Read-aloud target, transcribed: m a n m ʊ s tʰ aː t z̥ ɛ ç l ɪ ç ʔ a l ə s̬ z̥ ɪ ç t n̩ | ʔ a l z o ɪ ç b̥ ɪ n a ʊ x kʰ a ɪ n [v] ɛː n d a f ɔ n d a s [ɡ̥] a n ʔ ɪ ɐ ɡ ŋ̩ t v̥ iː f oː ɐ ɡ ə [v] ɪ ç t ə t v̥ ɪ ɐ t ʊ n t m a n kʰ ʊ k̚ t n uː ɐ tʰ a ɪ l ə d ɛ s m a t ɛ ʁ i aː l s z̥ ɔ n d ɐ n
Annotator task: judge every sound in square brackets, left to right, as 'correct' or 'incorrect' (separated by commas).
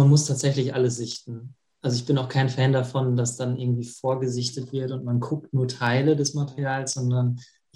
incorrect, incorrect, incorrect